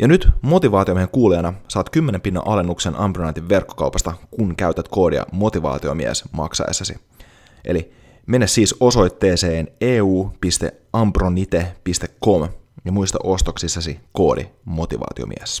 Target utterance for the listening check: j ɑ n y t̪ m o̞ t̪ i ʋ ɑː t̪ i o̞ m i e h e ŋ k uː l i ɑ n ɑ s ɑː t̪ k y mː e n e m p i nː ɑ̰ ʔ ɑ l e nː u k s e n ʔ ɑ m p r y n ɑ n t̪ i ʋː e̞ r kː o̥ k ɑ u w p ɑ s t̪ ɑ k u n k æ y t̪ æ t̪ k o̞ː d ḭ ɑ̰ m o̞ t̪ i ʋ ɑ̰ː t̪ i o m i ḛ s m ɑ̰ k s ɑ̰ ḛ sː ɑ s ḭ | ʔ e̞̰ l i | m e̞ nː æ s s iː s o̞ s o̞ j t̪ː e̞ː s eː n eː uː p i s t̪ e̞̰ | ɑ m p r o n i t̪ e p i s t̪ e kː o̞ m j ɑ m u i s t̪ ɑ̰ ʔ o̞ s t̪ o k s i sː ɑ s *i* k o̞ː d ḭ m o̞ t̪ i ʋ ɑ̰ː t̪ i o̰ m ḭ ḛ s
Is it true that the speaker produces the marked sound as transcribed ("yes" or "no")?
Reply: yes